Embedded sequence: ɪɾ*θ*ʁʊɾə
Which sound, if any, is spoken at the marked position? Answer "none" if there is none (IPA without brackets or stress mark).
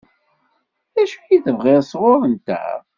s